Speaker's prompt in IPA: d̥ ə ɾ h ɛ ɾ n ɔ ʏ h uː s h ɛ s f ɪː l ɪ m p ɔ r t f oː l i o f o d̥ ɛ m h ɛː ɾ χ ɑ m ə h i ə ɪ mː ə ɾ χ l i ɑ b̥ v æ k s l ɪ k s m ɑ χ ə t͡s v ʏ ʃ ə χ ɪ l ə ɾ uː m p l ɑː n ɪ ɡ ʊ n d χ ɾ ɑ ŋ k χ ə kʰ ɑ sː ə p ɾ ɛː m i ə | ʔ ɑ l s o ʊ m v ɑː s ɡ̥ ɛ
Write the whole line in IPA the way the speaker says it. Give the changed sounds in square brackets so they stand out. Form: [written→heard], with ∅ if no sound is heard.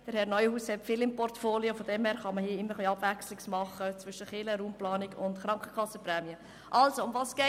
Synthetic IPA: d̥ ə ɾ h ɛ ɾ n ɔ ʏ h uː s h ɛ [s→t] f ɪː l ɪ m p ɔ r t f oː l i o f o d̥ ɛ m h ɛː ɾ χ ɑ m ə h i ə ɪ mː ə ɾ χ l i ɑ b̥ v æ k s l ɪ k s m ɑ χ ə t͡s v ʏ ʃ ə χ ɪ l ə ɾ uː m p l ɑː n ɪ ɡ ʊ n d χ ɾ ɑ ŋ k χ ə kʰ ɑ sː ə p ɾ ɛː m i ə | ʔ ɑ l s o ʊ m v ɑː s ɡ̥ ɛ

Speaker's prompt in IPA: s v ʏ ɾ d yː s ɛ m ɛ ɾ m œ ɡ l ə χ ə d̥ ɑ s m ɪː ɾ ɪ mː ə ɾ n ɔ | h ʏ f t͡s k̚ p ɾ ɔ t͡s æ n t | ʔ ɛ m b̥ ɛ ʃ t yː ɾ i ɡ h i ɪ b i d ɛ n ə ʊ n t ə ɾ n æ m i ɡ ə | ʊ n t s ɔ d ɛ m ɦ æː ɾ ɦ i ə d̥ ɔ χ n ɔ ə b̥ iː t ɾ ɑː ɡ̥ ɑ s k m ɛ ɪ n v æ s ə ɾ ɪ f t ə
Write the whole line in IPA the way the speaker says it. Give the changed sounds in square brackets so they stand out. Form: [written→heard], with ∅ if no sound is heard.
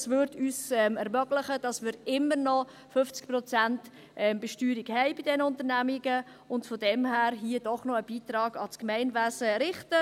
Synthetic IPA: s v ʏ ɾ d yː s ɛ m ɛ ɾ m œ ɡ l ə χ ə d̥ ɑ s m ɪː ɾ ɪ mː ə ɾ n ɔ | [h→f] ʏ f t͡s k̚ p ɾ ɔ t͡s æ n t | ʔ ɛ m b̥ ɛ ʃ t yː ɾ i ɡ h [i→ɛ] ɪ b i d ɛ n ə ʊ n t ə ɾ n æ m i ɡ ə | ʊ n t [s→f] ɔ d ɛ m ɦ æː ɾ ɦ i ə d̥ ɔ χ n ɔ ə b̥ iː t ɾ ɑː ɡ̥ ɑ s k m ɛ ɪ n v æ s ə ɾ ɪ [f→χ] t ə

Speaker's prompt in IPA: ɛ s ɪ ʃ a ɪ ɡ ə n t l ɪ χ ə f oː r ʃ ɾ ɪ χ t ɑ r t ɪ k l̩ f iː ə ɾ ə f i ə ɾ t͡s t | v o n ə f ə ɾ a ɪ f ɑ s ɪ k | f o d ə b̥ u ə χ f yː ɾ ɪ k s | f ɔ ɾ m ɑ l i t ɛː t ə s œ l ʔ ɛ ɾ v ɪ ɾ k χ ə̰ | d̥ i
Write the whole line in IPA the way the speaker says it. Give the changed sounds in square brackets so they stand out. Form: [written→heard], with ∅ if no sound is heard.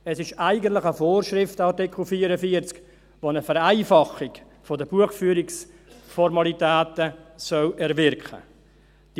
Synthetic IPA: ɛ s ɪ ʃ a ɪ ɡ ə n t l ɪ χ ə f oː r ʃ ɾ ɪ [χ→f] t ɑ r t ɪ k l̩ f iː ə ɾ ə f i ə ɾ t͡s [t→k] | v o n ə f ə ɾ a ɪ f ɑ [s→χ] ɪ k | f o d ə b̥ u ə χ f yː ɾ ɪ k s | f ɔ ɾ m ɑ l i t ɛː t ə s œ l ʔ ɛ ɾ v ɪ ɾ k χ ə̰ | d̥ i

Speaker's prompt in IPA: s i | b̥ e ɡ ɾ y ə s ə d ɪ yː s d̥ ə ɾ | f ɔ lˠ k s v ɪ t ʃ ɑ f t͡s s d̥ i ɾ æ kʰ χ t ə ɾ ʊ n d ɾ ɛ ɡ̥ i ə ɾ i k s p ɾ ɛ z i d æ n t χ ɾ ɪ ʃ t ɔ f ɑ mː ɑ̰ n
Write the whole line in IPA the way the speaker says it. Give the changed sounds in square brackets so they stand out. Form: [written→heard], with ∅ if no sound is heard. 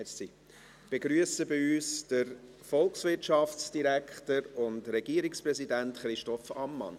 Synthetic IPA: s i | b̥ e ɡ ɾ y ə s ə [d→b] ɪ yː s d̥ ə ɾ | f ɔ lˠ k s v ɪ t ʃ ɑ f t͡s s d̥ i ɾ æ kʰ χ t ə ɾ ʊ n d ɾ ɛ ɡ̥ i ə ɾ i k s p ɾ ɛ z i d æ n t χ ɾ ɪ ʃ t ɔ f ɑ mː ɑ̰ n

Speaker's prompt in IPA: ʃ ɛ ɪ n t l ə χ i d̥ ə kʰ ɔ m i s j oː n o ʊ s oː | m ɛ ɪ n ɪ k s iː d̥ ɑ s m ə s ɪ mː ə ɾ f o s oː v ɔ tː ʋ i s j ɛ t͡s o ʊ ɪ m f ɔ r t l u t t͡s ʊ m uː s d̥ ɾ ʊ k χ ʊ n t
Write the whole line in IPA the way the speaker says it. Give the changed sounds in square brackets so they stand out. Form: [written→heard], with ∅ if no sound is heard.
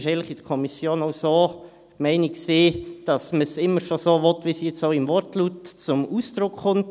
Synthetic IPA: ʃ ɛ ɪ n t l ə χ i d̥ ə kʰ ɔ m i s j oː n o ʊ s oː | m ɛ ɪ n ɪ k s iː d̥ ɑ s m ə s ɪ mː ə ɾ [f→ʃ] o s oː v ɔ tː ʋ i s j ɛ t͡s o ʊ ɪ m [f→v] ɔ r t l u t t͡s ʊ m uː s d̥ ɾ ʊ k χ ʊ n t

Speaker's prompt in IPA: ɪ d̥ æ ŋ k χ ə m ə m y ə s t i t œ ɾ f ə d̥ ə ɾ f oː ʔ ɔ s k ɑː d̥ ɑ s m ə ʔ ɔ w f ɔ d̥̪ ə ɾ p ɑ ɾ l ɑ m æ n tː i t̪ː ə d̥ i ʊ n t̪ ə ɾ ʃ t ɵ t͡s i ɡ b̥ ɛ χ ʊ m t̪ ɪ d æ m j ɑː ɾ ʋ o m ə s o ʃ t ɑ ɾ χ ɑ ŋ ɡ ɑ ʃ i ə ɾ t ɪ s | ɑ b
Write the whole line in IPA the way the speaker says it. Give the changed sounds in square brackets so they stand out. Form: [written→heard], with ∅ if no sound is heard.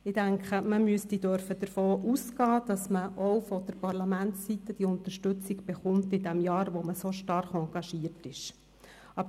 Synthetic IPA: ɪ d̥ æ ŋ k χ ə m ə m y ə s t i [t→d] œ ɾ f ə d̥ ə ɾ f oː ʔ [ɔ→u] s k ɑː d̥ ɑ s m ə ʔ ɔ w f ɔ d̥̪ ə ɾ p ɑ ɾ l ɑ m æ n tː i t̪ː ə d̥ i ʊ n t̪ ə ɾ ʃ t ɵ t͡s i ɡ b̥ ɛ χ ʊ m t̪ ɪ d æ m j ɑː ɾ ʋ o m ə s o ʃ t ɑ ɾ χ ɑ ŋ ɡ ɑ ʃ i ə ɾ t ɪ [s→ʃ] | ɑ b

